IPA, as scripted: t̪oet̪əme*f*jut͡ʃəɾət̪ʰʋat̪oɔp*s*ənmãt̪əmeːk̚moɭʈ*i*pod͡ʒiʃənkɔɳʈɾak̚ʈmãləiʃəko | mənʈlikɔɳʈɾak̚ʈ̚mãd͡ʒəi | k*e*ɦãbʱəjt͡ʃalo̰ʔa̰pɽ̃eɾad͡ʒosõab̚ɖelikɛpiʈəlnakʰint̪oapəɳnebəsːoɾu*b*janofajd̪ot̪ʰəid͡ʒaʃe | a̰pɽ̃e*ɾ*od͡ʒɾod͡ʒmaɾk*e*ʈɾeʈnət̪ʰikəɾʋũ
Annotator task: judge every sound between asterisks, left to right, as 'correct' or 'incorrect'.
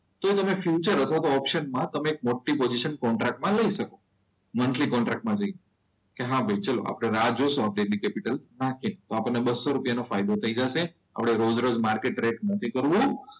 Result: correct, incorrect, correct, correct, incorrect, correct, correct

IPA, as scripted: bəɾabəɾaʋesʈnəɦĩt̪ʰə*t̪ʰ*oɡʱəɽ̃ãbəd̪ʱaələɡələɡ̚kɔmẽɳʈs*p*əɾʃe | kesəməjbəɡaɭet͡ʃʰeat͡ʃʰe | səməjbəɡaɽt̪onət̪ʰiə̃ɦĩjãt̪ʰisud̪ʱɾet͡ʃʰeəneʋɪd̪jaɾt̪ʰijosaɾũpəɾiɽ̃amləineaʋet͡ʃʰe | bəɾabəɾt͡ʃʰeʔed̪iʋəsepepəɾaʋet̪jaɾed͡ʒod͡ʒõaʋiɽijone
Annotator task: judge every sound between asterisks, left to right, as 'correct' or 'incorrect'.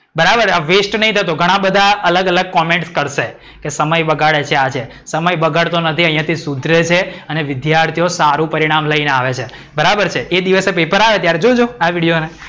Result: incorrect, incorrect

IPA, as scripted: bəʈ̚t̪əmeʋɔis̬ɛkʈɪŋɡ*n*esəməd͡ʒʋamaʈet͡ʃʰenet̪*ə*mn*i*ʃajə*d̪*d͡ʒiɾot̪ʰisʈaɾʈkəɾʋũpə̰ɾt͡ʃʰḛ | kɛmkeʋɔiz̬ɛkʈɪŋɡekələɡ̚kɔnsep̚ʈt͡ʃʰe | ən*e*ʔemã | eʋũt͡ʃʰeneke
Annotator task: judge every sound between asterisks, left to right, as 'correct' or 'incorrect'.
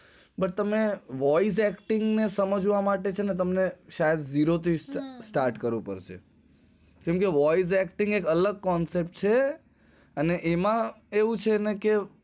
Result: correct, correct, incorrect, correct, correct

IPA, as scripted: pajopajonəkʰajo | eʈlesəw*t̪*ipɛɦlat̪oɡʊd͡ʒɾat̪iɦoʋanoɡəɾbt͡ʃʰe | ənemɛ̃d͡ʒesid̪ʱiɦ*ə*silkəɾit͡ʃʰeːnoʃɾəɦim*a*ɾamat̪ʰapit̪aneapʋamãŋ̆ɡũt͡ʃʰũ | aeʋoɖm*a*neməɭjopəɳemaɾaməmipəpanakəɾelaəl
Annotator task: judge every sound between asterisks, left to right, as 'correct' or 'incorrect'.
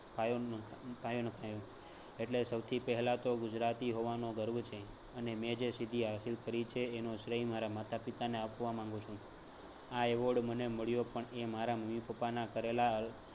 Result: incorrect, incorrect, correct, incorrect

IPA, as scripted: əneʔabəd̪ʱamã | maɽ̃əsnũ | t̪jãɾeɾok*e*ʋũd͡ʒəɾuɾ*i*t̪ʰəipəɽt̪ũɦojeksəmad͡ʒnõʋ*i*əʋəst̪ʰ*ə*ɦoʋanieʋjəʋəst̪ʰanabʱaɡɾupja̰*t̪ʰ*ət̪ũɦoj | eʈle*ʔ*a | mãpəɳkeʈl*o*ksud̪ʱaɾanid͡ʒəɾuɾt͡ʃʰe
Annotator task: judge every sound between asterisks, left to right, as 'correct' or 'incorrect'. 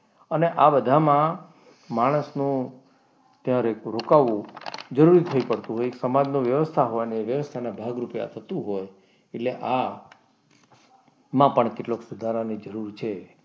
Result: incorrect, correct, incorrect, incorrect, correct, correct, correct

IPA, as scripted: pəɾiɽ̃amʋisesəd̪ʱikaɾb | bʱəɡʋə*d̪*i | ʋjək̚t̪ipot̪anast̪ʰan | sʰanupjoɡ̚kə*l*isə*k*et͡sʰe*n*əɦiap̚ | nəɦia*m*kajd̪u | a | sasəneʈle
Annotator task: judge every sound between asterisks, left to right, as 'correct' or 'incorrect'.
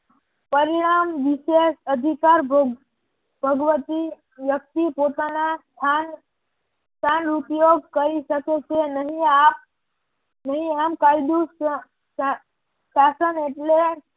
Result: incorrect, incorrect, correct, correct, correct

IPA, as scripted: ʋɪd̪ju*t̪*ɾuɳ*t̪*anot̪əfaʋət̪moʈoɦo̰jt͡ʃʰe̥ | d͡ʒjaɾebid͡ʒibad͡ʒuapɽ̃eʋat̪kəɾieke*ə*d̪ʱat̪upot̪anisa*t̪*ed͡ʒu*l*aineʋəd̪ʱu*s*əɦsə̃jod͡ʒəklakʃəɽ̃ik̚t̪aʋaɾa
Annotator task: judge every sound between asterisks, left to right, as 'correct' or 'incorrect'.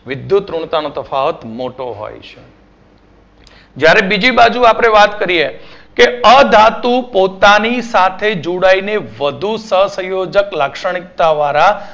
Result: correct, correct, correct, incorrect, incorrect, correct

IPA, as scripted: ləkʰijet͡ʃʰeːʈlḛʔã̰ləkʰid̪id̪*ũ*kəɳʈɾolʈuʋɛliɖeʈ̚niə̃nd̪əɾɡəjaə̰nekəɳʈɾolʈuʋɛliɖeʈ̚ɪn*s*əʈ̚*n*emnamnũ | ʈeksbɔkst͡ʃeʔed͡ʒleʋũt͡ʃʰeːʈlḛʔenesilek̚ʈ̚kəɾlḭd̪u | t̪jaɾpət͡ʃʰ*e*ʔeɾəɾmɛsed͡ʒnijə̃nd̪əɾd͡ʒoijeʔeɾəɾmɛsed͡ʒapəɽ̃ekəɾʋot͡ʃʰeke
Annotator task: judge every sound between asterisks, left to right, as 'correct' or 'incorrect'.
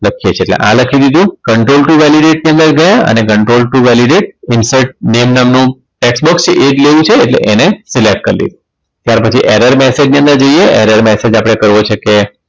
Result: correct, correct, correct, incorrect

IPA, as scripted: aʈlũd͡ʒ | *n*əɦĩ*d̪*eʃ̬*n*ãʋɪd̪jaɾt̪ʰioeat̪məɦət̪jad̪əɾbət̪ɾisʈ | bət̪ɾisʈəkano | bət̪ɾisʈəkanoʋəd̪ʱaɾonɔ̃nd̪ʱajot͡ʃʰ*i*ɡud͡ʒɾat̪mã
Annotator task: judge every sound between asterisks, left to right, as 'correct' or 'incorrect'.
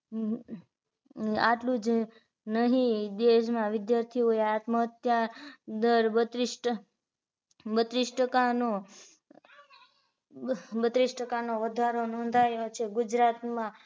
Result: correct, correct, incorrect, incorrect

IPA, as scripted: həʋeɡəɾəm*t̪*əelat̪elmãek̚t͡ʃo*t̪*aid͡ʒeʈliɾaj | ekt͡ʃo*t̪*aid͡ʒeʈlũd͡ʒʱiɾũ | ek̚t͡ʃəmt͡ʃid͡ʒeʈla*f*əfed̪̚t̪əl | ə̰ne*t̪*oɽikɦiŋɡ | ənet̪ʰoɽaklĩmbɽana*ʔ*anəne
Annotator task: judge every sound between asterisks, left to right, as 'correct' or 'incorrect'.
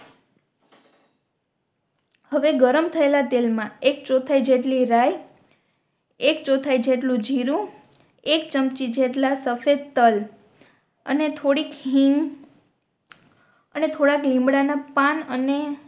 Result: incorrect, incorrect, incorrect, incorrect, incorrect, incorrect

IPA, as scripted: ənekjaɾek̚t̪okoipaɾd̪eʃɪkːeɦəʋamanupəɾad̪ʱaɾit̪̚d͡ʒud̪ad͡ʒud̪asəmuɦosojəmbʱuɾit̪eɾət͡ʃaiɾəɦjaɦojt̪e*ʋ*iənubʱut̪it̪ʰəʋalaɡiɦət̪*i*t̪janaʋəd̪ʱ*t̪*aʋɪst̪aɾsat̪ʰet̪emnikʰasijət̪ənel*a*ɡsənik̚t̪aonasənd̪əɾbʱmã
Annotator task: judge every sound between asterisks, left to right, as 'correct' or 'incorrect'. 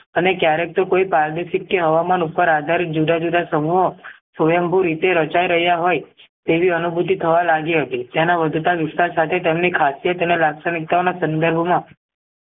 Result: correct, correct, correct, correct

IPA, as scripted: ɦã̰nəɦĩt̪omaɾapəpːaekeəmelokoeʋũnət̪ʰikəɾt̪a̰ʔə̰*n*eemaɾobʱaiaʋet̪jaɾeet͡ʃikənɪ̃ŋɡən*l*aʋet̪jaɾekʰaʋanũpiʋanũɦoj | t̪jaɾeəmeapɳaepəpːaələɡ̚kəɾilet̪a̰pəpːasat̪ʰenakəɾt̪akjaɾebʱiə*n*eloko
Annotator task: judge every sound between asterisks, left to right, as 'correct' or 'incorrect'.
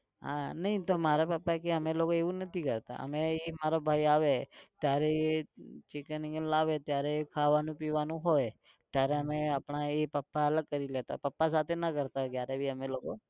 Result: incorrect, correct, incorrect

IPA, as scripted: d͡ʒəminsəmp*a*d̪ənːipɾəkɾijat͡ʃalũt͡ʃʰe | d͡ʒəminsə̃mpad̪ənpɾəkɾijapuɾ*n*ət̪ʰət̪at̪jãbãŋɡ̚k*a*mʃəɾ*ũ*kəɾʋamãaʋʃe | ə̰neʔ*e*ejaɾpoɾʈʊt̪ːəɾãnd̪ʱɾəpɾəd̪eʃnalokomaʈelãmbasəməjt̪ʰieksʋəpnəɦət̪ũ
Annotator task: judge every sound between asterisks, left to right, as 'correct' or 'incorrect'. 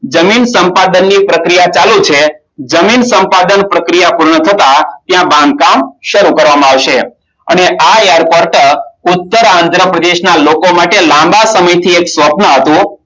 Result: correct, incorrect, correct, incorrect, incorrect

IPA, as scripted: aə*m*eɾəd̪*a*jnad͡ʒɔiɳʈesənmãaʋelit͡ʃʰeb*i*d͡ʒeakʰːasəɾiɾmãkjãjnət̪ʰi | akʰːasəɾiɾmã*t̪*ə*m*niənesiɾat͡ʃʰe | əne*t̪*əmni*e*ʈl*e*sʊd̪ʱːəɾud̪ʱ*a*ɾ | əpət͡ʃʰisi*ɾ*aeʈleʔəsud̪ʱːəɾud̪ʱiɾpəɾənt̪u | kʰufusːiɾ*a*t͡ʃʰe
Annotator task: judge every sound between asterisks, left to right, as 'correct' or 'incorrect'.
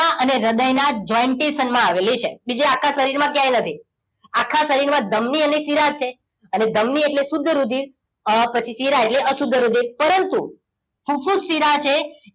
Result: incorrect, incorrect, correct, incorrect, correct, incorrect, correct, correct, incorrect, correct, correct

